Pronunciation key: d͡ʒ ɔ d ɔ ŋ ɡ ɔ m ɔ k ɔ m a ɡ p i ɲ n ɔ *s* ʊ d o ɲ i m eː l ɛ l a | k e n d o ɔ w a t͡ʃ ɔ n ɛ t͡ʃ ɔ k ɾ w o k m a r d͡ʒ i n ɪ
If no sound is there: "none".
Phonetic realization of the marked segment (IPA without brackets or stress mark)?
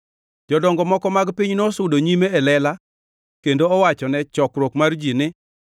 s